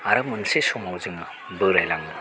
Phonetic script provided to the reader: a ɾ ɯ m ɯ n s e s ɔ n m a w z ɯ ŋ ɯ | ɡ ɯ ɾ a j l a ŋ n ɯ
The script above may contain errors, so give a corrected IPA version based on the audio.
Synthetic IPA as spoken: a ɾ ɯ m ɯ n s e s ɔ m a w z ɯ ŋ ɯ | b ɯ ɾ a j l a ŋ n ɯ

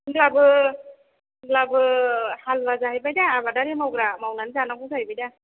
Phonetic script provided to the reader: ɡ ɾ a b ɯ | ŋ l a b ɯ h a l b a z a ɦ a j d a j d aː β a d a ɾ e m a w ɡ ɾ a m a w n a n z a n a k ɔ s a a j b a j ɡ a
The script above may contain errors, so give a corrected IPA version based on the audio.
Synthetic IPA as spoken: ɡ l a b ɯ | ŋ l a b ɯ h a l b a z a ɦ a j b a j d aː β a d a ɾ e m a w ɡ ɾ a m a w n a n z a n a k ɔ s a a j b a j d a

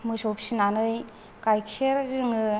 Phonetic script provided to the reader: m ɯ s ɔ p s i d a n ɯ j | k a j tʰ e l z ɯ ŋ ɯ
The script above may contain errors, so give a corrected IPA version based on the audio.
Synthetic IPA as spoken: m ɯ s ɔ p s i n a n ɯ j | k a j kʰ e ɾ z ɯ ŋ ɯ

